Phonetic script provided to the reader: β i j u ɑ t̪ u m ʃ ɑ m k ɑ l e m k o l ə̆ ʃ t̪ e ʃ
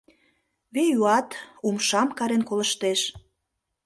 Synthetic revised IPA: β e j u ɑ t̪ u m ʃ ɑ m k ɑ ɾ e n k o l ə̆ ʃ t̪ e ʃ